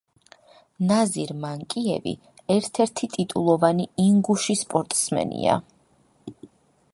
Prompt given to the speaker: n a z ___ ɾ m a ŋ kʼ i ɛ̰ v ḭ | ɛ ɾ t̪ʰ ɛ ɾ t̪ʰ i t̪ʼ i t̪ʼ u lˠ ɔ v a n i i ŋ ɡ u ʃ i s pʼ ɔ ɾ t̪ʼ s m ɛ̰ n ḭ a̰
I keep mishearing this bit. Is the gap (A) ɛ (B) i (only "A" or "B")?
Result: B